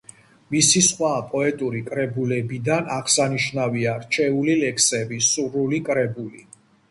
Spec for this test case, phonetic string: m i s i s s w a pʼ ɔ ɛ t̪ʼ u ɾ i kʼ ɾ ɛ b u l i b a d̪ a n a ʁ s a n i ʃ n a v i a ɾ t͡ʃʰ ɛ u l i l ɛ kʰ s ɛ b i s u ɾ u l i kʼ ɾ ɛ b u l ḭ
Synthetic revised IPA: m i s i s χ w a pʼ ɔ ɛ t̪ʼ u ɾ i kʼ ɾ ɛ b u l ɛ b i d̪ a n a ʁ s a n i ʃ n a v i a ɾ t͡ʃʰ ɛ u l i l ɛ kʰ s ɛ b i s u ɾ u l i kʼ ɾ ɛ b u l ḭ